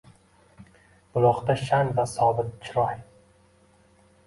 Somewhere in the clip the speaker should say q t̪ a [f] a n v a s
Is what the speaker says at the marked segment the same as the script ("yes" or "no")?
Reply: no